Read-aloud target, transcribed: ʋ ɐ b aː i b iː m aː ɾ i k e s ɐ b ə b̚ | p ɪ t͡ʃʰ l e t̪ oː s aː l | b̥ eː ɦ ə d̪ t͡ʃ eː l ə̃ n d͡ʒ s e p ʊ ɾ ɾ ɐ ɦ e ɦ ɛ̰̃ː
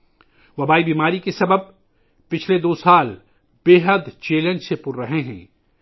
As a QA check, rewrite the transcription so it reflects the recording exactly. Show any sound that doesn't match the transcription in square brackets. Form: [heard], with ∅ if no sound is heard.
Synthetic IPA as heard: ʋ ɐ b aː i b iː m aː ɾ i k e s ɐ b ə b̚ | p ɪ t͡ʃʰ l e [d̪] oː s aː l | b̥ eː ɦ ə d̪ t͡ʃ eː l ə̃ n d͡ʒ s e p ʊ ɾ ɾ ɐ ɦ e ɦ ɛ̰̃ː